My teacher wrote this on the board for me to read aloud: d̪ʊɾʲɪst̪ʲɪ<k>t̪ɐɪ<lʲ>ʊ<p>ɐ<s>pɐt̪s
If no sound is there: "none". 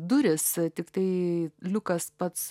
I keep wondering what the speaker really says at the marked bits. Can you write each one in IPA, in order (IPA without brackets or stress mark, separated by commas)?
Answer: k, lʲ, k, s